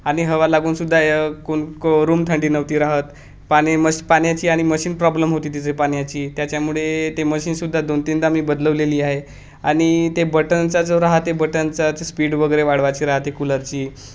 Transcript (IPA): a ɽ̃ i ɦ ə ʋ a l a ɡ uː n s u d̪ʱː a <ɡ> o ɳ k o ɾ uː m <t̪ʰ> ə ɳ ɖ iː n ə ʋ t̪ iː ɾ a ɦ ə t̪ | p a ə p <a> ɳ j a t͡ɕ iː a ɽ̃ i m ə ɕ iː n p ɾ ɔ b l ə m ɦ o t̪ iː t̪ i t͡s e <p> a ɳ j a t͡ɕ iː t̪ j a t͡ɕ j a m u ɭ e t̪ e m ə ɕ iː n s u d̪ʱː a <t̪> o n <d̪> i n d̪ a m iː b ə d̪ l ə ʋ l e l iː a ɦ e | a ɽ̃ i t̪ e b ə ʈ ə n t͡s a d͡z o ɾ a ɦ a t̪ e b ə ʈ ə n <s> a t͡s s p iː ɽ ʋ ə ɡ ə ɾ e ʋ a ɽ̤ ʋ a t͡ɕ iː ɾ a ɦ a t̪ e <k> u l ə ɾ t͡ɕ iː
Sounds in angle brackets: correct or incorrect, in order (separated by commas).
incorrect, correct, correct, correct, incorrect, incorrect, incorrect, correct